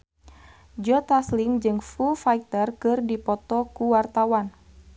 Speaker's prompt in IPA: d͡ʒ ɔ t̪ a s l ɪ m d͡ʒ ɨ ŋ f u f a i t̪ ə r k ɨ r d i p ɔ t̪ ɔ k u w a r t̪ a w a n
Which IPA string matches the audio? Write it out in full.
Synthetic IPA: d͡ʒ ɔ t̪ a s l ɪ ŋ d͡ʒ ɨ ŋ f u f a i t̪ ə r k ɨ r d i p ɔ t̪ ɔ k u w a r t̪ a w a n